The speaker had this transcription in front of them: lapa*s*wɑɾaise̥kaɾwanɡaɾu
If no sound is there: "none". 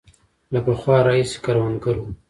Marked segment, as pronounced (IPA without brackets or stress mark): x